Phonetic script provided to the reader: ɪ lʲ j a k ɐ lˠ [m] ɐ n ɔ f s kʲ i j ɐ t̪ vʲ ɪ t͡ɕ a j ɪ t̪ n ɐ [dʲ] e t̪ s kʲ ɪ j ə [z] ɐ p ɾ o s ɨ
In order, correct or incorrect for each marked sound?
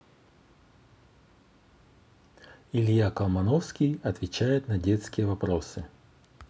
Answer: correct, correct, incorrect: v

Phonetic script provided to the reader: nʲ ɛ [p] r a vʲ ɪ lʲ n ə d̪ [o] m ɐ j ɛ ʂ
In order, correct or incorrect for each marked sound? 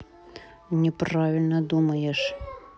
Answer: correct, incorrect: u

